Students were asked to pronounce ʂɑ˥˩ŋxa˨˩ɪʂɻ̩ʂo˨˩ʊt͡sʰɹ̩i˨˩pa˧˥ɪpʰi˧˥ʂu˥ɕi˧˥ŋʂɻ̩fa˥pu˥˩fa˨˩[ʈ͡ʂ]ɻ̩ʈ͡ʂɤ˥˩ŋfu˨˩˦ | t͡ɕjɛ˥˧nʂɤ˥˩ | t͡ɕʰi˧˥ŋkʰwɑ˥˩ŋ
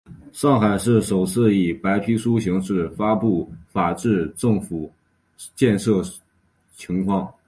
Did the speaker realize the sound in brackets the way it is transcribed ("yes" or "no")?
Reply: yes